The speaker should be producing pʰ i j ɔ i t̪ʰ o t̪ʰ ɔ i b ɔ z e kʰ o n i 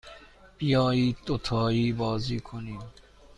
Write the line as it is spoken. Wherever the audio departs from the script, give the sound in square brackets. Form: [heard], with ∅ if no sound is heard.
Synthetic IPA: [p] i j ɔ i [t̪] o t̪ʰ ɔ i b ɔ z [i] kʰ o n i